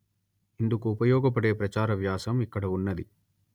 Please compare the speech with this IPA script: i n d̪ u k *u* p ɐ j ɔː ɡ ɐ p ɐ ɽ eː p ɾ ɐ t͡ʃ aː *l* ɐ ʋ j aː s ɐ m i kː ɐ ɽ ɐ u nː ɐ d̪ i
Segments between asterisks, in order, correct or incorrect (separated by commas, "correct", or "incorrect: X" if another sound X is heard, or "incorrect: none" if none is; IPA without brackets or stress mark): incorrect: uː, incorrect: ɾ